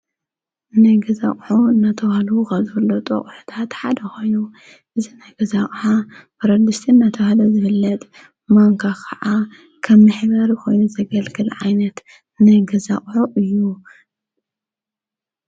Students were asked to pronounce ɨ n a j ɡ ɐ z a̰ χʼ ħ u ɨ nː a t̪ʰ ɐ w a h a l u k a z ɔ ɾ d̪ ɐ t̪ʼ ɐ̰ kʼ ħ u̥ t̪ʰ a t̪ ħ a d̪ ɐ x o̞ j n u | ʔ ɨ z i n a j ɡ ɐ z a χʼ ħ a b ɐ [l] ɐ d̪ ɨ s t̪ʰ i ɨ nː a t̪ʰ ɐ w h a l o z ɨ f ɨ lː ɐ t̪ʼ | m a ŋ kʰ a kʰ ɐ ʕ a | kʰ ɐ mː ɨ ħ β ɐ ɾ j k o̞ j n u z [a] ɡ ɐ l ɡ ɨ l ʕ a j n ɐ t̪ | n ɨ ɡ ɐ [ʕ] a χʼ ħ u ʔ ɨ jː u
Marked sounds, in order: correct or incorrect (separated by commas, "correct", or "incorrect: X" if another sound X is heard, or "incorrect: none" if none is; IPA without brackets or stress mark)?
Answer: incorrect: ɾ, incorrect: ɐ, incorrect: z